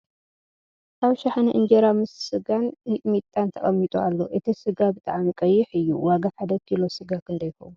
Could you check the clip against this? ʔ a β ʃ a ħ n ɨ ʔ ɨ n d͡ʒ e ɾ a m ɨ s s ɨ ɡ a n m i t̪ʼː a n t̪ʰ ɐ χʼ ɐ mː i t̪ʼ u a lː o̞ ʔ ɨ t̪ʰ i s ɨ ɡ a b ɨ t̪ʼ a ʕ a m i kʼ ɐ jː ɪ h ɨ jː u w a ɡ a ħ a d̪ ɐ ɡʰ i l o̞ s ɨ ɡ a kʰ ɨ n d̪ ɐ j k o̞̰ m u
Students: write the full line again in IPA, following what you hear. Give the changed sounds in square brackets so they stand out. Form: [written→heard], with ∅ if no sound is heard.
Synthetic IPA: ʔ a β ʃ a ħ n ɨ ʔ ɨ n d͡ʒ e ɾ a m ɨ s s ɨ ɡ a n m i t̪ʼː a n t̪ʰ ɐ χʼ ɐ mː i t̪ʼ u a lː o̞ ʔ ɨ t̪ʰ i s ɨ ɡ a b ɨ t̪ʼ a ʕ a m i kʼ ɐ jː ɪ [h→ħ] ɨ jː u w a ɡ a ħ a d̪ ɐ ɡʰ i l o̞ s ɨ ɡ a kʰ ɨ n d̪ ɐ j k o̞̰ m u